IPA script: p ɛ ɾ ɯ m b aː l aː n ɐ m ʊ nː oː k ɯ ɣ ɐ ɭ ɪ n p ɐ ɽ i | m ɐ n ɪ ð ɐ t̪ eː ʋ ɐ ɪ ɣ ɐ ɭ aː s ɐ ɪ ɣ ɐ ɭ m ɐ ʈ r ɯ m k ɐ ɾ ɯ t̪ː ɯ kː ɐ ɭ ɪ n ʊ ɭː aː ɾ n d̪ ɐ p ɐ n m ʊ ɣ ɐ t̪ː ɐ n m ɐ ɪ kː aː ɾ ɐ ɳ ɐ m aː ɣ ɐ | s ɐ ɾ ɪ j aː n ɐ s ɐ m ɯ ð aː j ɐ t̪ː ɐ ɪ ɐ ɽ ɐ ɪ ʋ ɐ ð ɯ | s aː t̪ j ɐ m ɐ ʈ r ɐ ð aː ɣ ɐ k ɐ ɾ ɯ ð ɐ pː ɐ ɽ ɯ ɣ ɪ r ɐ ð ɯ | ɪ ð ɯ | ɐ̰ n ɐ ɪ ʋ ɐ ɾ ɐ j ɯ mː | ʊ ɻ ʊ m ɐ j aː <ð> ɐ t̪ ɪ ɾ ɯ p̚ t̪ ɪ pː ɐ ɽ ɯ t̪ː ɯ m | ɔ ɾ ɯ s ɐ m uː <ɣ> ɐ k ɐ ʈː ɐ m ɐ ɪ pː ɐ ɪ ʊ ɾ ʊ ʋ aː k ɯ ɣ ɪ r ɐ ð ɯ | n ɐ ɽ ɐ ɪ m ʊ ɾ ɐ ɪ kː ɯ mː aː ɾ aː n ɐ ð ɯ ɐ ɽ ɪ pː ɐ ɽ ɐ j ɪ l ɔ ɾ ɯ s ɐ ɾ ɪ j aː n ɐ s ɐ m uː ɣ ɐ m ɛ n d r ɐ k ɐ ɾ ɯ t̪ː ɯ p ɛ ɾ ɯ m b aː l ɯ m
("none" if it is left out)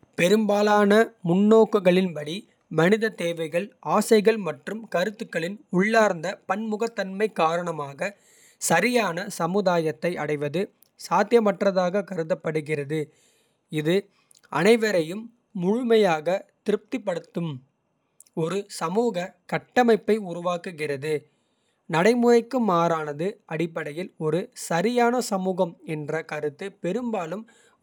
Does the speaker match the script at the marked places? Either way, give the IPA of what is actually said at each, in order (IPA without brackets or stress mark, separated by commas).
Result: ɣ, ɣ